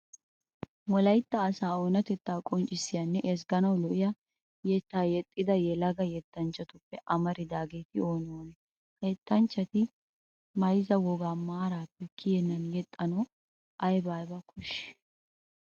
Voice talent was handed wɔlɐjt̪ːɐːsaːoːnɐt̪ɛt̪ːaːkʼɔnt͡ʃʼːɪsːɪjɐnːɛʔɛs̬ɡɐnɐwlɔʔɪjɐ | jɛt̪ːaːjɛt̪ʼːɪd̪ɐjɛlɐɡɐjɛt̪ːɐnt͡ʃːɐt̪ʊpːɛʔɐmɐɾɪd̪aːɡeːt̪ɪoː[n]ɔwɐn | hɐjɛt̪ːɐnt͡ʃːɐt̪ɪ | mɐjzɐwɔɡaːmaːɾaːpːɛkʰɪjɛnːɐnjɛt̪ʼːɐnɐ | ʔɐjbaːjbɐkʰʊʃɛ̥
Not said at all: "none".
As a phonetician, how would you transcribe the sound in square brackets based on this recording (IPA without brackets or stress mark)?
n